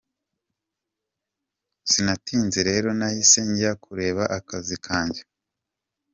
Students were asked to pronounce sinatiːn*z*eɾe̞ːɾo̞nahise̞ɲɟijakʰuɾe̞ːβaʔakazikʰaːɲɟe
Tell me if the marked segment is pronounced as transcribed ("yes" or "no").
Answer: yes